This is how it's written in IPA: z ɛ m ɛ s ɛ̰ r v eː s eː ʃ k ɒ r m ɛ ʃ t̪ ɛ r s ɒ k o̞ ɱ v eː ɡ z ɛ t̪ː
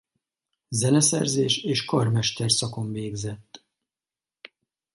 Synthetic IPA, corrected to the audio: z ɛ n ɛ s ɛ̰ r z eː ʃ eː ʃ k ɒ r m ɛ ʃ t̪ ɛ r s ɒ k o̞ ɱ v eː ɡ z ɛ t̪ː